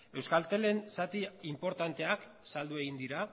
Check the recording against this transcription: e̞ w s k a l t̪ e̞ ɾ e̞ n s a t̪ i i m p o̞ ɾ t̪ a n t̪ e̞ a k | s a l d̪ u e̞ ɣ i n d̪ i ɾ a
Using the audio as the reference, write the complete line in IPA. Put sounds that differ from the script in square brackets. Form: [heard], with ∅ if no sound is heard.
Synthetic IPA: e̞ w s k a l t̪ e̞ [l] e̞ n s a t̪ i i m p o̞ ɾ t̪ a n t̪ e̞ a k | s a l d̪ u e̞ ɣ i n d̪ i ɾ a